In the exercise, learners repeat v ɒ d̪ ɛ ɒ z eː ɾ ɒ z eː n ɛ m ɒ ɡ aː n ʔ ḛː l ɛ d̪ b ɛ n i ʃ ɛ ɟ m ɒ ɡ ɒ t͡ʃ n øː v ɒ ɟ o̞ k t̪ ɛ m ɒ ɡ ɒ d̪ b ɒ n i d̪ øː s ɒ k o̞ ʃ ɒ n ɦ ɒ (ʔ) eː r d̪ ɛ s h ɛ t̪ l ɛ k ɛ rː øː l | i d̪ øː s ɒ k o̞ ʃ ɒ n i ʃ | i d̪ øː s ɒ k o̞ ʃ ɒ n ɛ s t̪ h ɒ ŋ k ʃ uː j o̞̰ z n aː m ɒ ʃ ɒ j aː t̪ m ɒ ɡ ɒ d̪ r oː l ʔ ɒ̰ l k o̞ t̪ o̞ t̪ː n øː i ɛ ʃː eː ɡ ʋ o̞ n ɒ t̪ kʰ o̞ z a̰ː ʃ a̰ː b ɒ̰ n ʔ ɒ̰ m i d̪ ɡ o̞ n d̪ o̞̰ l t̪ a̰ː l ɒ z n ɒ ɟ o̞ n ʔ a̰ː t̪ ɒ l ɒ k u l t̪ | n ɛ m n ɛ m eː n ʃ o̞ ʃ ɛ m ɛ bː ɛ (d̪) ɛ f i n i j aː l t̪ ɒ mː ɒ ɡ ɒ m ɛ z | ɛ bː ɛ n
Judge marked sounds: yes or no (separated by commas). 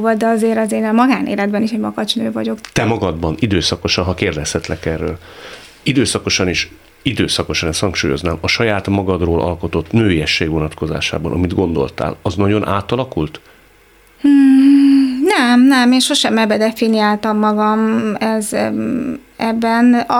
no, yes